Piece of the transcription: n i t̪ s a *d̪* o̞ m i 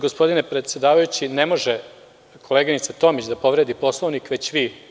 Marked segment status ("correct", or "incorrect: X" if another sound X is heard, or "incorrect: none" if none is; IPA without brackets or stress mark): incorrect: t̪